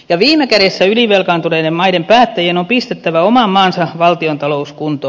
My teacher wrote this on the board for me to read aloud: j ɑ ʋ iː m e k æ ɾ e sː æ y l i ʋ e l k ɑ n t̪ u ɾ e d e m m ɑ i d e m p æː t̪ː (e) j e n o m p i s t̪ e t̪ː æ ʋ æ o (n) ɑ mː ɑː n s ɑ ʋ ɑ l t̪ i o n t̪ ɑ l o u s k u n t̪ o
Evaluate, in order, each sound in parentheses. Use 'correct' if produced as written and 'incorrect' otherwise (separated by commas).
incorrect, incorrect